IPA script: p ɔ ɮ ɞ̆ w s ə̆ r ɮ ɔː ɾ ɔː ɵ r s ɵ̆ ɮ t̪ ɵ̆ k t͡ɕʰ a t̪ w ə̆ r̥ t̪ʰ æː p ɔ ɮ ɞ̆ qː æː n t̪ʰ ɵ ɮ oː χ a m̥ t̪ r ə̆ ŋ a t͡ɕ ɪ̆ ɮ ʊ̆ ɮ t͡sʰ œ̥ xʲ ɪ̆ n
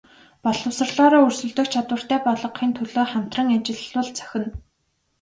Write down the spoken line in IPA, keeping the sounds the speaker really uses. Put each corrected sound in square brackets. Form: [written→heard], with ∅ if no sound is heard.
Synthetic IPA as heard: p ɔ ɮ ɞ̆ w s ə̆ r ɮ ɔː ɾ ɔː ɵ r s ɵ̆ ɮ t̪ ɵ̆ k t͡ɕʰ a t̪ w ə̆ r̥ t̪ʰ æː p ɔ ɮ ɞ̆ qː [æː→iː] n t̪ʰ ɵ ɮ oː χ a m̥ t̪ r ə̆ ŋ a t͡ɕ ɪ̆ ɮ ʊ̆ ɮ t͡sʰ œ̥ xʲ ɪ̆ n